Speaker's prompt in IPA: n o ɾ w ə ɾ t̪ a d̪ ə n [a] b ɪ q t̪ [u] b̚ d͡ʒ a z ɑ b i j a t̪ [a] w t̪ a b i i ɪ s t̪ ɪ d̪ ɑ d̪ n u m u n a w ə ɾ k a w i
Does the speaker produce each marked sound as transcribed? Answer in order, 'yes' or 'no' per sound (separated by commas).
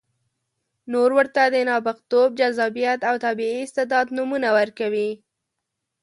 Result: no, no, yes